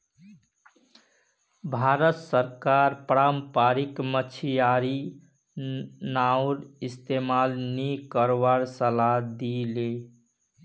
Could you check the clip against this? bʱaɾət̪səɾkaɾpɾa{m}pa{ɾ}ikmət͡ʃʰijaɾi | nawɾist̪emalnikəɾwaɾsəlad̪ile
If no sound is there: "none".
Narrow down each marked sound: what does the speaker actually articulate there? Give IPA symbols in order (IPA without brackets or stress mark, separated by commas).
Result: m, ɾ